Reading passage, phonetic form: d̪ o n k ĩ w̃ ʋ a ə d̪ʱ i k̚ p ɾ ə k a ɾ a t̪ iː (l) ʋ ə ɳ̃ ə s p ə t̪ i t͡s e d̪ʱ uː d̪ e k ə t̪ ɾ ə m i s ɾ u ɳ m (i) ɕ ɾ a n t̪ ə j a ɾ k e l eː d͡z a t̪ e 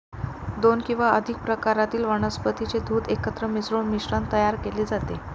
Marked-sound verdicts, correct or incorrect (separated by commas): correct, correct